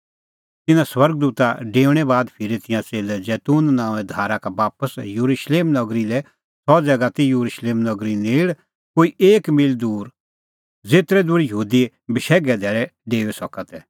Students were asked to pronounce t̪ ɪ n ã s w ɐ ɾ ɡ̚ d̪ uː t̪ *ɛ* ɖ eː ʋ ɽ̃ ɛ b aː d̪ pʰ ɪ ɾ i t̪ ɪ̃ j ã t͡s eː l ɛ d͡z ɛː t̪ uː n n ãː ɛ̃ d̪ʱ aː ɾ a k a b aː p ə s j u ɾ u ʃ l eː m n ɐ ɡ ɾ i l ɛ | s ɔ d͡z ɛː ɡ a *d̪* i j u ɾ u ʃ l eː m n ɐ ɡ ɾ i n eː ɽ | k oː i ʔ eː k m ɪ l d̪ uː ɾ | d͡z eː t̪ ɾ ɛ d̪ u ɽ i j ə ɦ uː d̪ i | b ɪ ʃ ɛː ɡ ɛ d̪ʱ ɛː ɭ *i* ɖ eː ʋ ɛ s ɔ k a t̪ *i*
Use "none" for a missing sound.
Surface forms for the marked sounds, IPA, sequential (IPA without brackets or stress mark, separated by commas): a, t̪, ɛ, ɛ